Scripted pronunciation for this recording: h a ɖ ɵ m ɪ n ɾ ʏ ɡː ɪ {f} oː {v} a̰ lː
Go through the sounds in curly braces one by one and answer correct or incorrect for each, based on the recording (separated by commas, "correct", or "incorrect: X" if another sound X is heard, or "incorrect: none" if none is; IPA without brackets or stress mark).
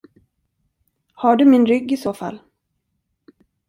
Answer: incorrect: s, incorrect: f